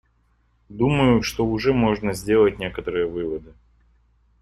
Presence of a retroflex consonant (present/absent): present